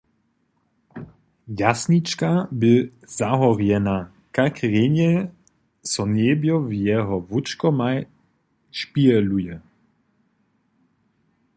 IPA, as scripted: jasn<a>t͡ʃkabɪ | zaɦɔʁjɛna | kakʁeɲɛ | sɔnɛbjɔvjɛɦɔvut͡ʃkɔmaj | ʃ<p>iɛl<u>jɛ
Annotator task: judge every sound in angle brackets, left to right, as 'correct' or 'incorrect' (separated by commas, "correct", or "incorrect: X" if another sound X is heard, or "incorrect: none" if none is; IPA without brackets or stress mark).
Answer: incorrect: i, correct, correct